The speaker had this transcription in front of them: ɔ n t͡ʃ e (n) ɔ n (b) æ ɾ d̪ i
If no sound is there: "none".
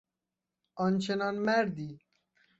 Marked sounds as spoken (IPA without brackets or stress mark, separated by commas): n, m